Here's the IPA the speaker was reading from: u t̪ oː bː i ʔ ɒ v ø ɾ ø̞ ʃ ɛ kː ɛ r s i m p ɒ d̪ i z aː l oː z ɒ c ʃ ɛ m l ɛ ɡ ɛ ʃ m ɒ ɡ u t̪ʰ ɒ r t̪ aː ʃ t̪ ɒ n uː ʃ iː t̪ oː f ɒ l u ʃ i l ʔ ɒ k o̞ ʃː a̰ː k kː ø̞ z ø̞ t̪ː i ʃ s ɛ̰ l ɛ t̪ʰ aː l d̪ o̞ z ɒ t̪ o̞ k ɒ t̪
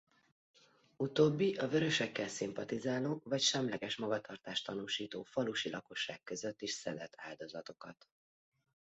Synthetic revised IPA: u t̪ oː bː i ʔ ɒ v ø ɾ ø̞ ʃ ɛ kː ɛ l s i m p ɒ t̪ i z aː l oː v ɒ c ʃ ɛ m l ɛ ɡ ɛ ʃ m ɒ ɡ ɒ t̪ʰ ɒ r t̪ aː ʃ t̪ ɒ n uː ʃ iː t̪ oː f ɒ l u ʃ i l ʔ ɒ k o̞ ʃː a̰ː k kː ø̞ z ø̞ t̪ː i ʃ s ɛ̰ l ɛ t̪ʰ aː l d̪ o̞ z ɒ t̪ o̞ k ɒ t̪